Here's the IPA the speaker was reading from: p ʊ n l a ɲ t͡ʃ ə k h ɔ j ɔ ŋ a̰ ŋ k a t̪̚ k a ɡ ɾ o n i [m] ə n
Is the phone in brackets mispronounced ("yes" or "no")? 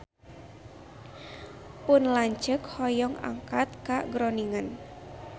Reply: yes